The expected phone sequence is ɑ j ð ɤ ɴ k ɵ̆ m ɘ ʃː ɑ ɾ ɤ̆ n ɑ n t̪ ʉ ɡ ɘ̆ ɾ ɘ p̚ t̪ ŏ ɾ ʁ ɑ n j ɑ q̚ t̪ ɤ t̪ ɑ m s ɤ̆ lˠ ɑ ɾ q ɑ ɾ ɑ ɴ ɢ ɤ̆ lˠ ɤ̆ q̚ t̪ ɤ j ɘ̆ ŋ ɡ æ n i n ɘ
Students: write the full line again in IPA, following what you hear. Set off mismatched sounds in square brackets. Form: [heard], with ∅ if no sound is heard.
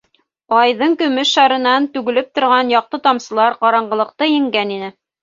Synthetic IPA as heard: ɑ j ð ɤ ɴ k ɵ̆ m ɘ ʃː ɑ ɾ ɤ̆ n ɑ n t̪ ʉ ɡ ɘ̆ [l] ɘ p̚ t̪ ŏ ɾ ʁ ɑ n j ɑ q̚ t̪ ɤ t̪ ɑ m s ɤ̆ lˠ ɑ ɾ q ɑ ɾ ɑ ɴ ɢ ɤ̆ lˠ ɤ̆ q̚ t̪ ɤ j ɘ̆ ŋ ɡ æ n i n ɘ